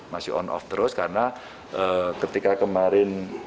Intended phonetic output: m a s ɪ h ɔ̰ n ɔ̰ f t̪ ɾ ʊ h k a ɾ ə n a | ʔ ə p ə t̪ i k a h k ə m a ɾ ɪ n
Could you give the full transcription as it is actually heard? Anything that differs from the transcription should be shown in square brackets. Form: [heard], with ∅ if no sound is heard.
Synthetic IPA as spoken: m a s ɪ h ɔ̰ n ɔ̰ f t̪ ɾ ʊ [s] k a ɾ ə n a | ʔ ə [k] ə t̪ i k a [∅] k ə m a ɾ ɪ n